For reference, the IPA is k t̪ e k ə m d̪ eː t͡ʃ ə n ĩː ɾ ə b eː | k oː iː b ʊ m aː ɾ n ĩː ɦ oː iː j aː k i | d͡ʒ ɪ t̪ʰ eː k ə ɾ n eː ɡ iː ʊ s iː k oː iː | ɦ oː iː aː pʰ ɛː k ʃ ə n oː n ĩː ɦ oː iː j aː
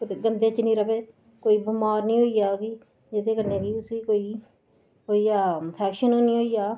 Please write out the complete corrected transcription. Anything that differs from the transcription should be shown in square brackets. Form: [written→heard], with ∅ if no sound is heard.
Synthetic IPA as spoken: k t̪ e [k→ɡ] ə [m→n] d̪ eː t͡ʃ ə n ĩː ɾ ə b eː | k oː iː b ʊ m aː ɾ n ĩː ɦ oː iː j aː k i | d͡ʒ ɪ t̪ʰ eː k ə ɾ n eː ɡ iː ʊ s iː k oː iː | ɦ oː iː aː pʰ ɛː k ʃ ə n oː n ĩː ɦ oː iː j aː